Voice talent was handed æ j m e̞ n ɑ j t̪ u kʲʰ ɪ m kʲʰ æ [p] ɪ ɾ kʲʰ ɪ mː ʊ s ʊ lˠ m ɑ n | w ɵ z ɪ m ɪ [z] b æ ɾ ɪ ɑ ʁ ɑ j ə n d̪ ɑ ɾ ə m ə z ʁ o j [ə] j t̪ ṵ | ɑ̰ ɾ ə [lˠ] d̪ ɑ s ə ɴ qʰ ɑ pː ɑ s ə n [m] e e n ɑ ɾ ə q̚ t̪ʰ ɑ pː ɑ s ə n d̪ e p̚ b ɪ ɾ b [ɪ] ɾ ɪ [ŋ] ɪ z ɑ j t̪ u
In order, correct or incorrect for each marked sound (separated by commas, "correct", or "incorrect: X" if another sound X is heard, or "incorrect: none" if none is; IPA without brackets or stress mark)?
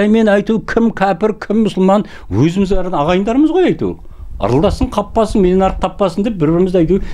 correct, correct, incorrect: ɑ, correct, correct, correct, incorrect: m